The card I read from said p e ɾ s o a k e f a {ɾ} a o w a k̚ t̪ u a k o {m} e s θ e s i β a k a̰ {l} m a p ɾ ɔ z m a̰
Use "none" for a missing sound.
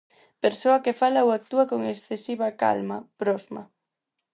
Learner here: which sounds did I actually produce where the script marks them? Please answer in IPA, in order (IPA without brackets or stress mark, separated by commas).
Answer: l, ŋ, l